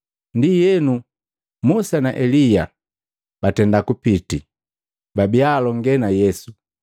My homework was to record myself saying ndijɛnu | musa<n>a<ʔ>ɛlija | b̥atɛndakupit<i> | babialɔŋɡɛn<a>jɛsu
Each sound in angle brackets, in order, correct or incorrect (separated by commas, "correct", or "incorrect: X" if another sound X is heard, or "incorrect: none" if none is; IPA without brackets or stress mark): correct, correct, correct, correct